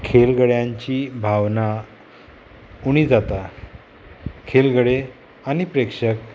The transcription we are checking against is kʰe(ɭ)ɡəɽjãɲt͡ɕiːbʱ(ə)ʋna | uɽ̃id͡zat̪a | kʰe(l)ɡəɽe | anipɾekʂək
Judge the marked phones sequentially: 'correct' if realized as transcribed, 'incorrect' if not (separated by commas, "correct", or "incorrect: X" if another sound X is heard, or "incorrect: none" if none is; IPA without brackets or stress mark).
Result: incorrect: l, incorrect: a, correct